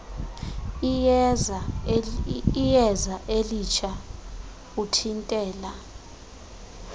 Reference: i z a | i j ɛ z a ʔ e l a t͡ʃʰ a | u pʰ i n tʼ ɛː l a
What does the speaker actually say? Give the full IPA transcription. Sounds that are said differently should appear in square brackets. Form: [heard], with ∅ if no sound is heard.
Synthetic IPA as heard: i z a | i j ɛ z a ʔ e l [i] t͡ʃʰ a | u [tʰ] i n tʼ ɛː l a